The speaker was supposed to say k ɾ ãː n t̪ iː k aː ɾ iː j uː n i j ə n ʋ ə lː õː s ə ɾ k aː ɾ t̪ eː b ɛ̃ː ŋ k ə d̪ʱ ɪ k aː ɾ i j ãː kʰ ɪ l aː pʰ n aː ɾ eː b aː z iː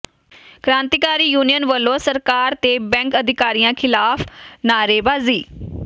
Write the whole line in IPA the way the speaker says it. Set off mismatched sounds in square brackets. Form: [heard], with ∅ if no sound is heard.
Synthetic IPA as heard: k ɾ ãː n t̪ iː k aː ɾ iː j uː n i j ə n ʋ ə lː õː s ə ɾ k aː ɾ t̪ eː b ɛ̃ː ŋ k ə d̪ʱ ɪ k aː ɾ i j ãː kʰ ɪ l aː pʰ n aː ɾ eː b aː z iː